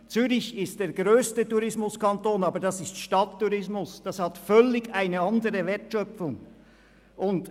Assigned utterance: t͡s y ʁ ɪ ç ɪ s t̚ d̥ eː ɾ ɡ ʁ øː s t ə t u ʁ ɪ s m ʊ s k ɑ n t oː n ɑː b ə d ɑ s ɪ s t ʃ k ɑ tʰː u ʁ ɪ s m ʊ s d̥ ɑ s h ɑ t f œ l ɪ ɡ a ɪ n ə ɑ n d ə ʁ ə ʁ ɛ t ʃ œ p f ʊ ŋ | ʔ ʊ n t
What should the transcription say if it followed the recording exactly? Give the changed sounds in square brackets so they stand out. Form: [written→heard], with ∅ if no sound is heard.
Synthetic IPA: t͡s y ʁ ɪ ç ɪ s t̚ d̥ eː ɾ ɡ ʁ øː s t ə t u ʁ ɪ s m ʊ s k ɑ n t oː n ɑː b ə d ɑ s ɪ s t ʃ [k→t] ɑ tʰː u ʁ ɪ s m ʊ s d̥ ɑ s h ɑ t f œ l ɪ ɡ a ɪ n ə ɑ n d ə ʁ ə [ʁ→v] ɛ t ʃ œ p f ʊ ŋ | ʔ ʊ n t